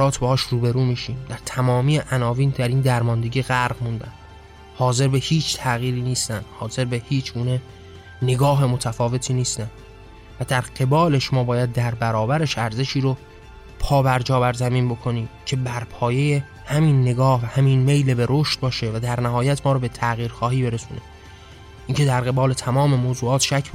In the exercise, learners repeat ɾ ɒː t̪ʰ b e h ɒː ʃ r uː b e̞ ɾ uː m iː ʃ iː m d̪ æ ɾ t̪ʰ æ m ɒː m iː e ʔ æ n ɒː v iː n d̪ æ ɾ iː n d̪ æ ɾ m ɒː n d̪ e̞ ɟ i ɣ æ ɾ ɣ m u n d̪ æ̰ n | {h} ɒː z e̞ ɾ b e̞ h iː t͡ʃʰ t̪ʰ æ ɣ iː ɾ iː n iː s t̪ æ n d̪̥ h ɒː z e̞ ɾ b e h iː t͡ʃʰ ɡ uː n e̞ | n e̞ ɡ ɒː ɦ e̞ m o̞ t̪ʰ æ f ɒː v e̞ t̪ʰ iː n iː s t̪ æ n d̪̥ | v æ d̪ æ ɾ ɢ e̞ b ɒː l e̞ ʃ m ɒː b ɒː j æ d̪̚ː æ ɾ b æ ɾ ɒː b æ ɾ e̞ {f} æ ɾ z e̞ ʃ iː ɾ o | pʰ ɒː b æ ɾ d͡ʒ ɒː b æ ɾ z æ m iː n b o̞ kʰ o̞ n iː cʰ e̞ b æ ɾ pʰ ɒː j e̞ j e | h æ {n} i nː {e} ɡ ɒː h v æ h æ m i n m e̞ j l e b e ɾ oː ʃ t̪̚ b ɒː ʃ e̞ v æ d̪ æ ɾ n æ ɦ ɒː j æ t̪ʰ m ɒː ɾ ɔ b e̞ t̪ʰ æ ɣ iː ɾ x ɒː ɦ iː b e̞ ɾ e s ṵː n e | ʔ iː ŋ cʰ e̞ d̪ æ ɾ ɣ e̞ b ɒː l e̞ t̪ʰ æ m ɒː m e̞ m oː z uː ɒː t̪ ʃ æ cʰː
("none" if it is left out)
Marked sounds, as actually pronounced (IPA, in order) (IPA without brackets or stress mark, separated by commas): h, ʃ, m, e